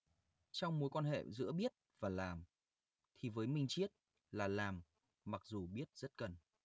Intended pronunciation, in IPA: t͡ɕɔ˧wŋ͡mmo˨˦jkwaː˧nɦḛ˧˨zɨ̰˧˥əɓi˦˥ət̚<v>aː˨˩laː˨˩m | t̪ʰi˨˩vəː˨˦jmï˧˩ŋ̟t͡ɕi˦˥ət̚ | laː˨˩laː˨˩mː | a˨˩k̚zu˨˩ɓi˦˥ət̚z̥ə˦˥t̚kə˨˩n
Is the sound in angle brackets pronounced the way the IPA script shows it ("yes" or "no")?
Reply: yes